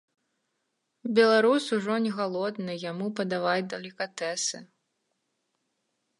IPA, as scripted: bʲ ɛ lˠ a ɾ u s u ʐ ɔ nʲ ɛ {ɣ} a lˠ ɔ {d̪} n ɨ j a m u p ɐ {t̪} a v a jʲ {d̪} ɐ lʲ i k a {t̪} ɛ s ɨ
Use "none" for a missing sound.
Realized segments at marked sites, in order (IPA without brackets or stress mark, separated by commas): ɣ, d̪, d̪, d̪, t̪